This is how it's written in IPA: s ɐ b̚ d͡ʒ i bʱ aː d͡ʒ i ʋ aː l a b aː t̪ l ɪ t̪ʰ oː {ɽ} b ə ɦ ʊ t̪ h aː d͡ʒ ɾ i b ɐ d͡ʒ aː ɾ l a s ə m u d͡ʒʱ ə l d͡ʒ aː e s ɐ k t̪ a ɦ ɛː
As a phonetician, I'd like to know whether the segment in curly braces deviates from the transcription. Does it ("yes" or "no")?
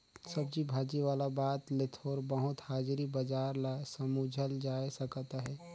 yes